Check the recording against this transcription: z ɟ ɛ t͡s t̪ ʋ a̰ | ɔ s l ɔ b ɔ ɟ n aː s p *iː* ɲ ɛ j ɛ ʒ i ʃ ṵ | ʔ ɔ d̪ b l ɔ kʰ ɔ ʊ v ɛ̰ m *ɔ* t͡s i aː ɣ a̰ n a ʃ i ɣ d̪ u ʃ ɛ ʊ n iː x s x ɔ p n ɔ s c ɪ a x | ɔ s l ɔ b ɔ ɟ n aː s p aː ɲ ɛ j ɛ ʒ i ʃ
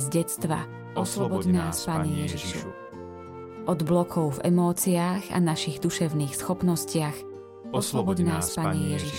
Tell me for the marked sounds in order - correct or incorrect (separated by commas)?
incorrect, incorrect